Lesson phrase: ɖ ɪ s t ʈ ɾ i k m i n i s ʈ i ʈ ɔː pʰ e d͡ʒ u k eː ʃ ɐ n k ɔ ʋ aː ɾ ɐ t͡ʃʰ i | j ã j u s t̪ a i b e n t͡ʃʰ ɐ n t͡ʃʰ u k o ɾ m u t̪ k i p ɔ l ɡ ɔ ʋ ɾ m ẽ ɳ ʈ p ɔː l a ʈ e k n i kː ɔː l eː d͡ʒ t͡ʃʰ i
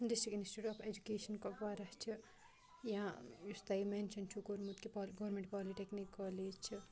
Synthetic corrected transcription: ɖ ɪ s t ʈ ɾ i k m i n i s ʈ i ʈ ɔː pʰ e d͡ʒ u k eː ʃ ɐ n k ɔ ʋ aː ɾ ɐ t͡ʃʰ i | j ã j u s t̪ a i m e n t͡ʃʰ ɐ n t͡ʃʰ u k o ɾ m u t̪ k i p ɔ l ɡ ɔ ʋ ɾ m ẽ ɳ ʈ p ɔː l i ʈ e k n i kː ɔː l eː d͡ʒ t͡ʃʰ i